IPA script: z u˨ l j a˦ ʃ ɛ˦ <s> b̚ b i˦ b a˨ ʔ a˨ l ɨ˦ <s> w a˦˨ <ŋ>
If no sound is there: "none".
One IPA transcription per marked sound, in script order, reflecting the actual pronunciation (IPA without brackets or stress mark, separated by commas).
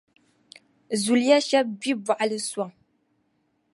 none, s, ŋ